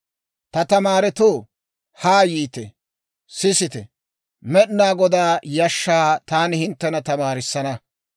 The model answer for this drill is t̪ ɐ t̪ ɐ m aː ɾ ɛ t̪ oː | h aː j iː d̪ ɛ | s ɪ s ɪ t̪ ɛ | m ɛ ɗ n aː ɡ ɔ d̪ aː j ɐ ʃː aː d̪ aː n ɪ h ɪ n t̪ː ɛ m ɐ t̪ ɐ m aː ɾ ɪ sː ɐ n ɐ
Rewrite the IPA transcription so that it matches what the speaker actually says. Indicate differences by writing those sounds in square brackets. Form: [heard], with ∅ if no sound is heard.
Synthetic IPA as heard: t̪ ɐ t̪ ɐ m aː ɾ ɛ t̪ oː | h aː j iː [t̪] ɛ | s ɪ s ɪ t̪ ɛ | m ɛ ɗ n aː ɡ ɔ d̪ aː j ɐ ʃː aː [t̪] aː n ɪ h ɪ n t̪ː ɛ [n] ɐ t̪ ɐ m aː ɾ ɪ sː ɐ n ɐ